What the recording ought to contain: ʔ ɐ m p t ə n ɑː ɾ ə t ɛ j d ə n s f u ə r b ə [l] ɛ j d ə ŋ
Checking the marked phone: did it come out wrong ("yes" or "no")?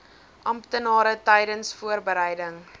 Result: yes